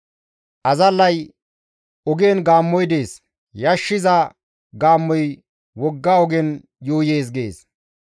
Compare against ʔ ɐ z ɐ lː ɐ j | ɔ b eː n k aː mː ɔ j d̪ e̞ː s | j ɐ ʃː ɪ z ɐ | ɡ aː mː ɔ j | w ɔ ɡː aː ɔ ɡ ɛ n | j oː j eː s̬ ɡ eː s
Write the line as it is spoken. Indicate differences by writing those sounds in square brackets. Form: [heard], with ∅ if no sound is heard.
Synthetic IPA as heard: ʔ ɐ z ɐ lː ɐ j | ɔ [ɡ] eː n [ɡ] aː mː ɔ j d̪ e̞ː s | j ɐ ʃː ɪ z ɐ | ɡ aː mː ɔ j | w ɔ ɡː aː ɔ ɡ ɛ n | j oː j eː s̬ ɡ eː s